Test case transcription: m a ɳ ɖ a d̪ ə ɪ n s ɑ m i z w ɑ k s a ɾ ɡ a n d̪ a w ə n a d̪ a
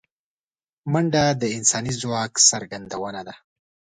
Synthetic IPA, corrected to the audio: m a ɳ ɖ a d̪ ə ɪ n s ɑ n i z w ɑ k s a ɾ ɡ a n d̪ a w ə n a d̪ a